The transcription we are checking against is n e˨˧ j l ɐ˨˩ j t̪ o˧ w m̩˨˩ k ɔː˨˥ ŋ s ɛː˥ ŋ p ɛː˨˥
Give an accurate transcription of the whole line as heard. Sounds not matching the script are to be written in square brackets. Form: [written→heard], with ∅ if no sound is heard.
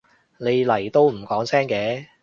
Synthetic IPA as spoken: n e˨˧ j l ɐ˨˩ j t̪ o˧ w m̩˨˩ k ɔː˨˥ ŋ s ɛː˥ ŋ [p→k] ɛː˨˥